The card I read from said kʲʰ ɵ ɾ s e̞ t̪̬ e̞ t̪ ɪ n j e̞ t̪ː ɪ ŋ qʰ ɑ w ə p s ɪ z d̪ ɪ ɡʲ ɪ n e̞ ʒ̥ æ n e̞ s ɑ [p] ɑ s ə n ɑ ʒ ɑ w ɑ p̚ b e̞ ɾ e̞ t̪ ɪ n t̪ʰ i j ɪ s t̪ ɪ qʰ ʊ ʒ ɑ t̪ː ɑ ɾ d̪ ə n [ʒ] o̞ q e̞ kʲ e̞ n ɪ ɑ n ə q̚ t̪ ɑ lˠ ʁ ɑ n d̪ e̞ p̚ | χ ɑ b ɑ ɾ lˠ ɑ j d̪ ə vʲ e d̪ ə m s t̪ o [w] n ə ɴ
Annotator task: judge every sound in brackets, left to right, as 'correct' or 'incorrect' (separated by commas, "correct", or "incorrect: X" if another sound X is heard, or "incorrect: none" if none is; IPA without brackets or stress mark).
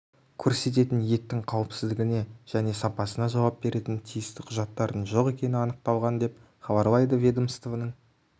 correct, correct, incorrect: v